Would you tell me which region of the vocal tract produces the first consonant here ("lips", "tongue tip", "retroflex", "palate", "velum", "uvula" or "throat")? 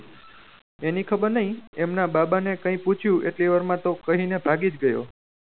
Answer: tongue tip